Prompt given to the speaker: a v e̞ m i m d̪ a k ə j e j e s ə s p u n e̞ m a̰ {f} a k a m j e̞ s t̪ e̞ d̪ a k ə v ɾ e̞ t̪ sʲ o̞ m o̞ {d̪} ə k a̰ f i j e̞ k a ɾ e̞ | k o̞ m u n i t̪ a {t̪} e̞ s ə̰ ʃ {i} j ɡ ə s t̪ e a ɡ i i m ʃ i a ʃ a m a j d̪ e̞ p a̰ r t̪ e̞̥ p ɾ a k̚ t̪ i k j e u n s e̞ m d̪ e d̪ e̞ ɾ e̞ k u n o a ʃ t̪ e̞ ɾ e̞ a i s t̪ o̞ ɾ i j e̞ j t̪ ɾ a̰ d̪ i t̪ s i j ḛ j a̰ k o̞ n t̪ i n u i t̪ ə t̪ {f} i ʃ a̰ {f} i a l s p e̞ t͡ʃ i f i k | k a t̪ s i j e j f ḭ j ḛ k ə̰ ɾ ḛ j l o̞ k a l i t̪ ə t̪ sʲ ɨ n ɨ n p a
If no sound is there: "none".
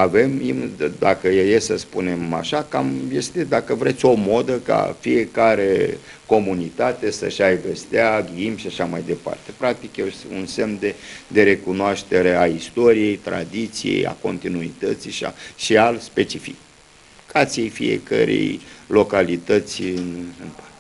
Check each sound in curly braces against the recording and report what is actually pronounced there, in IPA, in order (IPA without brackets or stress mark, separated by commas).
ʃ, d̪, t̪, a, s, ʃ